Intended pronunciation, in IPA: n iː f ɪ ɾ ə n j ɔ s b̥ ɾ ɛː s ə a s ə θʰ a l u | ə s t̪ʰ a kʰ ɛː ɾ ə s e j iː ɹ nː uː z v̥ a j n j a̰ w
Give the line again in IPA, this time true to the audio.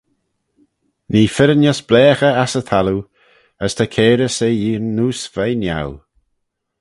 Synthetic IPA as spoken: n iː f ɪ ɾ ə n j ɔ s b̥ l ɛː x ə a s ə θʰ a l u | ə s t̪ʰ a kʰ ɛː ɾ ə s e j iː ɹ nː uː s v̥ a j n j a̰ w